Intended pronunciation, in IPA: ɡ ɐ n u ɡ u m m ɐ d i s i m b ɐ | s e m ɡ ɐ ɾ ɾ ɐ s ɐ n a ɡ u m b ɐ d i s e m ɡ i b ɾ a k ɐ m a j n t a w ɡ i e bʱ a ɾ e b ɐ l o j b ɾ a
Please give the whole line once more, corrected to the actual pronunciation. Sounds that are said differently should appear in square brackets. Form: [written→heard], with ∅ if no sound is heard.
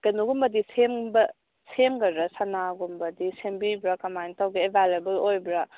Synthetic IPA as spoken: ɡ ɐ n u ɡ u m [m→b] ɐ d i s [i→e] m b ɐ | s e m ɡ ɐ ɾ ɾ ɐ s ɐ n a ɡ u m b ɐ d i s e m [ɡ→b] i b ɾ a k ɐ m a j n t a w ɡ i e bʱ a [ɾ→l] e b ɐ l o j b ɾ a